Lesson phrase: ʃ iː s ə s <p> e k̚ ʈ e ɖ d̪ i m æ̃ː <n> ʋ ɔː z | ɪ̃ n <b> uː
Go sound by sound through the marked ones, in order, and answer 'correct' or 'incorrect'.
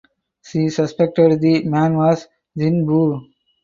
correct, correct, correct

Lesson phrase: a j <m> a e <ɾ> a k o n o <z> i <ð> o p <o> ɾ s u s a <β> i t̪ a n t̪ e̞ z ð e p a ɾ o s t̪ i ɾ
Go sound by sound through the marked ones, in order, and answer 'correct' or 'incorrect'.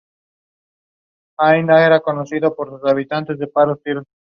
incorrect, correct, incorrect, correct, correct, correct

